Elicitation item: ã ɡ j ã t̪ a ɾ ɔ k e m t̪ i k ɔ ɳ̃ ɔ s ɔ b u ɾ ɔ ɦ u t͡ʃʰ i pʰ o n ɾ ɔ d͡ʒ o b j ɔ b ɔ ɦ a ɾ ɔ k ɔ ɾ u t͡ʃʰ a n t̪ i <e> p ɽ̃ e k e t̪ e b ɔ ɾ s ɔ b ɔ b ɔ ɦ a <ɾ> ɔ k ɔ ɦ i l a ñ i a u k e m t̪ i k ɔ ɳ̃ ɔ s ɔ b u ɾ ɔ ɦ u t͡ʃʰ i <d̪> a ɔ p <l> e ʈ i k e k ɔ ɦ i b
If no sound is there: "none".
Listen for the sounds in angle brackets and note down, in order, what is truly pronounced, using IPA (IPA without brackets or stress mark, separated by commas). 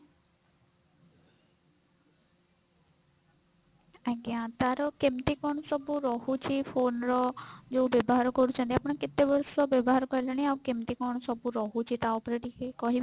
a, ɾ, t̪, ɾ